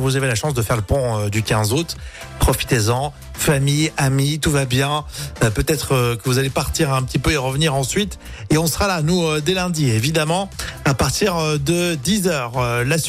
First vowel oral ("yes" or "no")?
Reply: yes